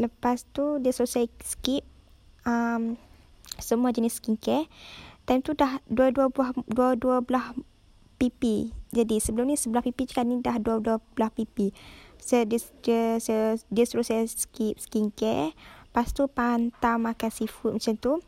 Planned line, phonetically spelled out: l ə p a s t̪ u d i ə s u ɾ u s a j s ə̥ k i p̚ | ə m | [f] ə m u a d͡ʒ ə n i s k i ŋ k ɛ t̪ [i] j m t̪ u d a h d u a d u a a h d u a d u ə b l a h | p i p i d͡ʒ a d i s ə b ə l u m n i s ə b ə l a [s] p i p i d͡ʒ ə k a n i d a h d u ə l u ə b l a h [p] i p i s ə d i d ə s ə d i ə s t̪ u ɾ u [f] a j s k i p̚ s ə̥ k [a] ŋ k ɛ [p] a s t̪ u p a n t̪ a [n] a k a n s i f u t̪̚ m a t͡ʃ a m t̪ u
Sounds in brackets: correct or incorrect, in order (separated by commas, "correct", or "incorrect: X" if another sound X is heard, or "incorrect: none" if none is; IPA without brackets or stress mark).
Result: incorrect: s, incorrect: a, incorrect: h, correct, incorrect: s, incorrect: i, correct, incorrect: m